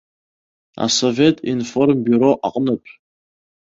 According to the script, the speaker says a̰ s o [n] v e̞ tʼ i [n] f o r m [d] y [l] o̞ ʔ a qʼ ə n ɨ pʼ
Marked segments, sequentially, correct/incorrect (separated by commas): incorrect, correct, incorrect, incorrect